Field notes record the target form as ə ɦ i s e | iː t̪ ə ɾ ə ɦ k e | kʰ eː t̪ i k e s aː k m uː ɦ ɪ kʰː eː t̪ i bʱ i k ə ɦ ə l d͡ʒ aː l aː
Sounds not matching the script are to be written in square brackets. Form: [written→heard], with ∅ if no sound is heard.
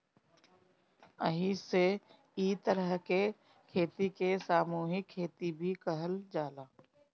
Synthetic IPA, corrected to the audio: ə ɦ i s e | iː t̪ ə ɾ ə ɦ k e | kʰ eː t̪ i k e s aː [k→∅] m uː ɦ ɪ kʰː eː t̪ i bʱ i k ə ɦ ə l d͡ʒ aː l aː